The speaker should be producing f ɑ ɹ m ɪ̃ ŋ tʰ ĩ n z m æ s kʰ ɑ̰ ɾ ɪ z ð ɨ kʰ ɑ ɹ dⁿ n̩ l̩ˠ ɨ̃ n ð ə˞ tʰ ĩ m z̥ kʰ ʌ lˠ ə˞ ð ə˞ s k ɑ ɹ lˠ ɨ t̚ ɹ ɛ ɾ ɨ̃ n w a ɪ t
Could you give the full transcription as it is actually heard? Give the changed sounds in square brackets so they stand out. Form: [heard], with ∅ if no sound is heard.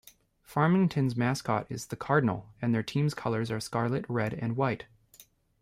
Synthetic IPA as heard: f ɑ ɹ m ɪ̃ ŋ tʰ [ɨ̃] n z m æ s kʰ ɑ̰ ɾ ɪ z ð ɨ kʰ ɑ ɹ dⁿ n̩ l̩ˠ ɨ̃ n ð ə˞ tʰ ĩ m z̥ kʰ ʌ lˠ ə˞ [z] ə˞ s k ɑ ɹ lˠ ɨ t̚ ɹ ɛ ɾ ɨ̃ n w a ɪ t